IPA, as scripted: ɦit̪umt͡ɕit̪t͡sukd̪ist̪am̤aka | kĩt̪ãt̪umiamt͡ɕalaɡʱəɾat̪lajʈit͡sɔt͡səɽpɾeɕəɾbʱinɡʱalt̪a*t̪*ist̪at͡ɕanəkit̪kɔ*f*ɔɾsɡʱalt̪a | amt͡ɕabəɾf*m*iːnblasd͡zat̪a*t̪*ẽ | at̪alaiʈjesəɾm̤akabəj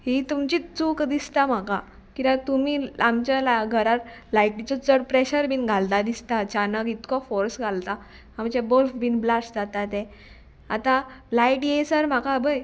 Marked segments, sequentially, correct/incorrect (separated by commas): incorrect, correct, incorrect, correct